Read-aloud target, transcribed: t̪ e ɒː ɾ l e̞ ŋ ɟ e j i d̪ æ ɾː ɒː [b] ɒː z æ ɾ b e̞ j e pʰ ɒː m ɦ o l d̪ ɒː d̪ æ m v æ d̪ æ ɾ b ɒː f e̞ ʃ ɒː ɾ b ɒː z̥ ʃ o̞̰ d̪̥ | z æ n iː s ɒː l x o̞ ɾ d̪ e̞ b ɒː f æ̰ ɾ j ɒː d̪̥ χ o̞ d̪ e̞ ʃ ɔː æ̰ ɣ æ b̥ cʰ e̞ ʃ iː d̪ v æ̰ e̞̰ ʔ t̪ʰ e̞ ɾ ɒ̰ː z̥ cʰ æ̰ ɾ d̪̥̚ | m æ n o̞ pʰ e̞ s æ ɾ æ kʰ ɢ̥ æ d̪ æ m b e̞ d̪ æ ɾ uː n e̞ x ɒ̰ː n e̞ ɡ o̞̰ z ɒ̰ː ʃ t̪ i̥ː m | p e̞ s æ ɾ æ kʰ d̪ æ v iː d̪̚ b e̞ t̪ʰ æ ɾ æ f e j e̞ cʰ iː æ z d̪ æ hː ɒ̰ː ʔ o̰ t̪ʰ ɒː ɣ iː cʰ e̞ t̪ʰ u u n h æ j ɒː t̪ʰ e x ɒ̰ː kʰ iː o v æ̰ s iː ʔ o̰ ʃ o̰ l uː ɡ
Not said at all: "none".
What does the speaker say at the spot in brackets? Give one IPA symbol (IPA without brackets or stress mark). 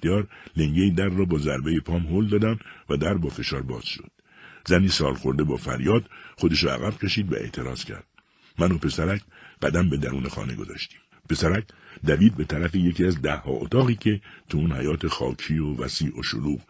b